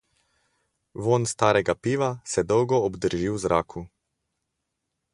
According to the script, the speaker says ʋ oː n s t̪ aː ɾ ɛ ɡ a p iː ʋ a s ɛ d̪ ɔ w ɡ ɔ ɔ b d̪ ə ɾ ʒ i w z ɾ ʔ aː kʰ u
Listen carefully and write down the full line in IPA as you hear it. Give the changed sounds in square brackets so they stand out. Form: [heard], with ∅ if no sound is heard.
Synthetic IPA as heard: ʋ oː n s t̪ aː ɾ ɛ ɡ a p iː ʋ a s ɛ d̪ ɔ w ɡ ɔ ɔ b d̪ ə ɾ ʒ i w z ɾ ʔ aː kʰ u